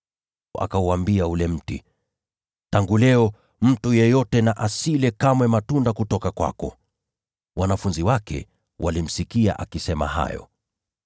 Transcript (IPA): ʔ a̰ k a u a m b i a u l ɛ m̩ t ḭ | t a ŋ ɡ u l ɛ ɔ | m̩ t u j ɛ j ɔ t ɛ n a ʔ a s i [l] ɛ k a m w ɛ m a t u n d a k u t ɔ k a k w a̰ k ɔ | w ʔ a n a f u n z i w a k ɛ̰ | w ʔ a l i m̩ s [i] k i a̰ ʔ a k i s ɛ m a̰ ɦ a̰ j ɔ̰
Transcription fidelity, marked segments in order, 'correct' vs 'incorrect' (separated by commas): correct, correct